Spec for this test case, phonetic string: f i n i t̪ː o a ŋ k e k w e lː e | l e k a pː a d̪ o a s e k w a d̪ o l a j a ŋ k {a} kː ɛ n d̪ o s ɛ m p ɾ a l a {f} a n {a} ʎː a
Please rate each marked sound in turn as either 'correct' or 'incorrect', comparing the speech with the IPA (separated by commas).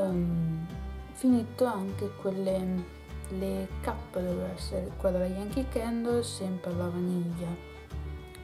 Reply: incorrect, incorrect, incorrect